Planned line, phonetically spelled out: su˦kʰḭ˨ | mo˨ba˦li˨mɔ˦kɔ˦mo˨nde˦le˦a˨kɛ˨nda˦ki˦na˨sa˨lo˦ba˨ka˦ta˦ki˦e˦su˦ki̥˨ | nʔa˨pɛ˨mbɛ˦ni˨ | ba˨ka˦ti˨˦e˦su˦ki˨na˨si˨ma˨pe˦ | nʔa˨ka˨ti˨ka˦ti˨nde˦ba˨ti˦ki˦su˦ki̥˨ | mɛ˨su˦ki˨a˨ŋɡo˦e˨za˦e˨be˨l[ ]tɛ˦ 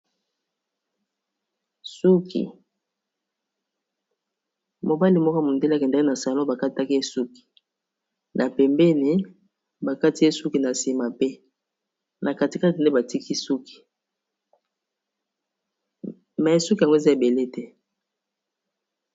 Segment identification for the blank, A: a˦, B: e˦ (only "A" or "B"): B